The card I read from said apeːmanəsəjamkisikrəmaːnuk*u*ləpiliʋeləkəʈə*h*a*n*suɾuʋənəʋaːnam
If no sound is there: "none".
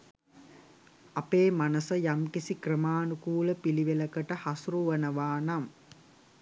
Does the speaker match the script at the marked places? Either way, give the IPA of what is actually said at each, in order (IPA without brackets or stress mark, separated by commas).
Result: uː, h, none